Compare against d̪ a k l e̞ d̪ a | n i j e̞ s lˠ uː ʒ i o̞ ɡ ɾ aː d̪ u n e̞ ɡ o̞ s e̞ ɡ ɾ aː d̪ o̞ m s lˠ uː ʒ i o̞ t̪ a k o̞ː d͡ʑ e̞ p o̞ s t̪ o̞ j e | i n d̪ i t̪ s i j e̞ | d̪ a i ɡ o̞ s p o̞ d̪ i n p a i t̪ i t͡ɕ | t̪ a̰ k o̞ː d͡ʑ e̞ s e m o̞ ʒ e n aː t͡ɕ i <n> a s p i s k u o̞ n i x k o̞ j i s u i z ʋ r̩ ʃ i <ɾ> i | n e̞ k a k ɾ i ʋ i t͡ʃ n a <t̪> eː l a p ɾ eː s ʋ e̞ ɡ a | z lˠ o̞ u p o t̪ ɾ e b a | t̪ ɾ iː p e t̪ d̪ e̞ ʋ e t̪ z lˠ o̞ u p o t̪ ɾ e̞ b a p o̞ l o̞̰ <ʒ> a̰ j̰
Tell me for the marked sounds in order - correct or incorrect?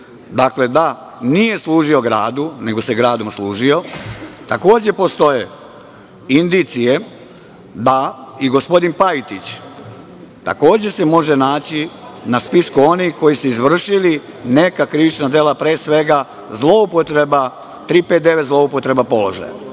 correct, incorrect: l, incorrect: d̪, correct

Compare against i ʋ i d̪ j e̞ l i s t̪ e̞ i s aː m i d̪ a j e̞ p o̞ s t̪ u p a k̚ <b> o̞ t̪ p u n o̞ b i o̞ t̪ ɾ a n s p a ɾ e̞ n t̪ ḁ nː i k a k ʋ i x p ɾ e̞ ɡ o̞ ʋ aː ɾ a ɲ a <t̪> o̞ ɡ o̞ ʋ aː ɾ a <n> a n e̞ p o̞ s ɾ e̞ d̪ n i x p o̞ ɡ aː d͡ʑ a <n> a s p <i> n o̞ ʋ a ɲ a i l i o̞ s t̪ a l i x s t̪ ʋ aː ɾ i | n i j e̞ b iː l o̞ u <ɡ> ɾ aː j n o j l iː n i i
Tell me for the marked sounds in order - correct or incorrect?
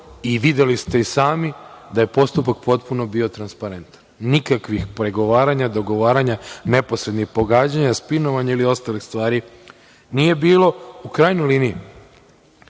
incorrect: p, incorrect: d̪, incorrect: ɲ, incorrect: ɲ, correct, incorrect: k

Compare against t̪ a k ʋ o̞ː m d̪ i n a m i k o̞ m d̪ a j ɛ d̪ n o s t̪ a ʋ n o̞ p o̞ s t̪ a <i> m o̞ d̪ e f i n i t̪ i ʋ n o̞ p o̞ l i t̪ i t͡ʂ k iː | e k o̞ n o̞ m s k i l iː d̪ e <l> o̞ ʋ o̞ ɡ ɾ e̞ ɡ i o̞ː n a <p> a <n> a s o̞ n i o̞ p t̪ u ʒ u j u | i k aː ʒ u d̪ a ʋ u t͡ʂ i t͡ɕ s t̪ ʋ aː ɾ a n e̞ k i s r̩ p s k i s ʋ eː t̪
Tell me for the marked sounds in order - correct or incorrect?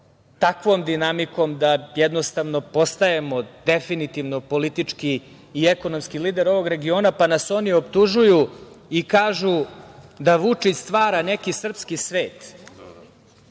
incorrect: e, incorrect: ɾ, correct, correct

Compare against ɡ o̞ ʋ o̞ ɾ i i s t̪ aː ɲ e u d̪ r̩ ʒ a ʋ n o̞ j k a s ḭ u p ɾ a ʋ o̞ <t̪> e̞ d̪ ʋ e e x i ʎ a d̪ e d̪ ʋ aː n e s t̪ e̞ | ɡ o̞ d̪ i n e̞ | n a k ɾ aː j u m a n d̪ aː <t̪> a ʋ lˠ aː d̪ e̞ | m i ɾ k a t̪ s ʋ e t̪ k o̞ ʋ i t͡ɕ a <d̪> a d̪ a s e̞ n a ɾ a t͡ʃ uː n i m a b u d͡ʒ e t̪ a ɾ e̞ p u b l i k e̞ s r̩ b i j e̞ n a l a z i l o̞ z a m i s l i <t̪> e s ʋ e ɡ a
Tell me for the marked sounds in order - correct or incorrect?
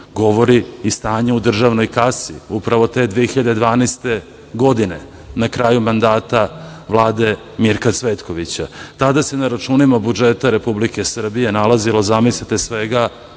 correct, correct, incorrect: t̪, correct

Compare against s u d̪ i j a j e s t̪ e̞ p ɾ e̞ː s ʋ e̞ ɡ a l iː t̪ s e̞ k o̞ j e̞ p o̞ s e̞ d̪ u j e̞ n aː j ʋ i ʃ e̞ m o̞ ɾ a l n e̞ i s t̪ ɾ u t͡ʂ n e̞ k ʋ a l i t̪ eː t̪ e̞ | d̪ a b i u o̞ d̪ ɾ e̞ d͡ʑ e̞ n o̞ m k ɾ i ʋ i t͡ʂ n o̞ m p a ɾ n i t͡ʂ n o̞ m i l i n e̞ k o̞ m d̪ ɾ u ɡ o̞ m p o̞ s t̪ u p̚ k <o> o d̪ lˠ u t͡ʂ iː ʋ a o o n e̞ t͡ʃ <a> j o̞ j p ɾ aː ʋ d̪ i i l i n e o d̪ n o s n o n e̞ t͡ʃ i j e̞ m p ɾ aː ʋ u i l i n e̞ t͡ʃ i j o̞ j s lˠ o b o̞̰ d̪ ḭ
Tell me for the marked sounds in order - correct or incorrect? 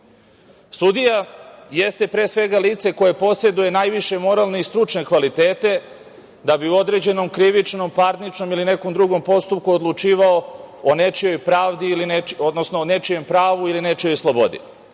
incorrect: u, incorrect: i

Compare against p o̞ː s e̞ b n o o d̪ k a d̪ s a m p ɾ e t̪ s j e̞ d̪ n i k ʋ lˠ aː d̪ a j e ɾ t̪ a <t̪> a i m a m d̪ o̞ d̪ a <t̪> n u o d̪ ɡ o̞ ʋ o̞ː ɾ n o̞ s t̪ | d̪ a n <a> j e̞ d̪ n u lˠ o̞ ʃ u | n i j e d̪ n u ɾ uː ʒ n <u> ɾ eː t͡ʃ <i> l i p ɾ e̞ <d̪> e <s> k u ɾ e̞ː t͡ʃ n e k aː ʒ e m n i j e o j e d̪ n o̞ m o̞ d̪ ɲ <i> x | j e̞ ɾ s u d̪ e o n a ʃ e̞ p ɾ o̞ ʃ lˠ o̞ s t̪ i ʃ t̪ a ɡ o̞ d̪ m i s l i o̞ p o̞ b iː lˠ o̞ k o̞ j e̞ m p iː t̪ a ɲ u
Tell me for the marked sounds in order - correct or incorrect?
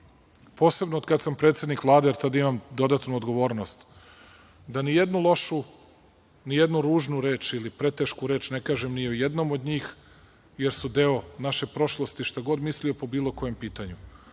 incorrect: d̪, correct, incorrect: i, correct, correct, incorrect: t̪, incorrect: ʃ, incorrect: iː

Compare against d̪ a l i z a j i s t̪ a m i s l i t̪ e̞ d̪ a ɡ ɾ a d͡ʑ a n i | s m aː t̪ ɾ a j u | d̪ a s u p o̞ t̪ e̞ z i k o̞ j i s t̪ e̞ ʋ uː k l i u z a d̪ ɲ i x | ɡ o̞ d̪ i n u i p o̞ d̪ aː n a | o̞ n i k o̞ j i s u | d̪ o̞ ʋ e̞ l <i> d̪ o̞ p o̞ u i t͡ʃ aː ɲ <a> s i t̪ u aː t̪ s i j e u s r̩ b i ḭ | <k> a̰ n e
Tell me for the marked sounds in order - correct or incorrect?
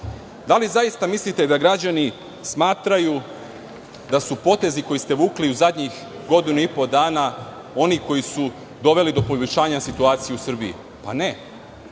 correct, correct, incorrect: p

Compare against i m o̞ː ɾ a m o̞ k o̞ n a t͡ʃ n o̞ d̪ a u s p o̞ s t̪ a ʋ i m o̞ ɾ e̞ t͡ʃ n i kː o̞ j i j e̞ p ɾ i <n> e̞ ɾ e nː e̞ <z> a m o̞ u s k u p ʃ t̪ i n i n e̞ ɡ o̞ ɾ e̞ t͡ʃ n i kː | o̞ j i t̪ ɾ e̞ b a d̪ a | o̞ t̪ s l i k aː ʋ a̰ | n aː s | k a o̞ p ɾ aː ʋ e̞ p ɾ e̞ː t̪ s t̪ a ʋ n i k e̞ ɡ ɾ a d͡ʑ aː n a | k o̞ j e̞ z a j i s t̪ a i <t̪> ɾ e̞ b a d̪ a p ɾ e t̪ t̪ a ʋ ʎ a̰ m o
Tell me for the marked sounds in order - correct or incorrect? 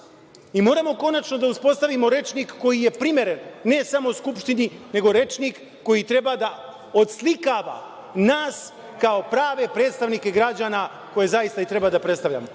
incorrect: m, incorrect: s, correct

